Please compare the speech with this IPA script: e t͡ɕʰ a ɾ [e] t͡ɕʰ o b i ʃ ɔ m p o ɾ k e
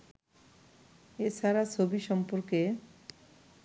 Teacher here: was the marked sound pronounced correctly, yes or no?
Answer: no